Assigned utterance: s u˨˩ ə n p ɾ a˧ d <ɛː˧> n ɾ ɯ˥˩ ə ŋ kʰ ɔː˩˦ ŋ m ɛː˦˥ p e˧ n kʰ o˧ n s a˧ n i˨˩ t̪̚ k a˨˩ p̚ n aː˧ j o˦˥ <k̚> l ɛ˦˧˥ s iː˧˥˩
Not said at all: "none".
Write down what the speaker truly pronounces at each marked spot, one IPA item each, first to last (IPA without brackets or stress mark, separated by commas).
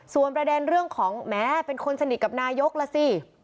ɛː˧, k̚